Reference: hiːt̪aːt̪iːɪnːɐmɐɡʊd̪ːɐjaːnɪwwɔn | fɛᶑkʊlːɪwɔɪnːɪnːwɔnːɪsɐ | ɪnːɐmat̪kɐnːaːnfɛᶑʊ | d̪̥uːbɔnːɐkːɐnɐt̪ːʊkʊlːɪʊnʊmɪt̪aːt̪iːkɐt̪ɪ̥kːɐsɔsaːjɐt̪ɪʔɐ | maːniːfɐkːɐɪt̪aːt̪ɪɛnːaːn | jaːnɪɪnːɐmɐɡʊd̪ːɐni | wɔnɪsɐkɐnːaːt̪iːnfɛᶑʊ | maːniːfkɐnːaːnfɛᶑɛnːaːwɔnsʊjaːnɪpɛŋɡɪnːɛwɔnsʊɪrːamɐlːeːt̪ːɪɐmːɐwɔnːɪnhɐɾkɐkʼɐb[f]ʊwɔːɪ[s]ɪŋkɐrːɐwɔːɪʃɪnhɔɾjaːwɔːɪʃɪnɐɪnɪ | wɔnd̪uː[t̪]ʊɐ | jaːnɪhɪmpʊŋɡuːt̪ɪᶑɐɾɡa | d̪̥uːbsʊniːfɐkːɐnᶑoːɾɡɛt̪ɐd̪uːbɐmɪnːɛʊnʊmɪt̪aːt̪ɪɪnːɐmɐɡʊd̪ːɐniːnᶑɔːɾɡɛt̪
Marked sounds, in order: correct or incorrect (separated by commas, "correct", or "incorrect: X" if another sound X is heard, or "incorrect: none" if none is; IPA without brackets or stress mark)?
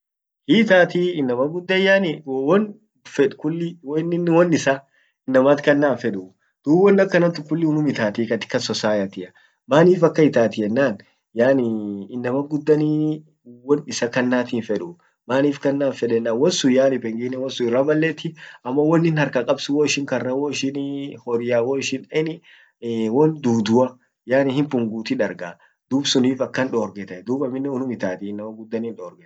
incorrect: s, incorrect: ʃ, incorrect: d̪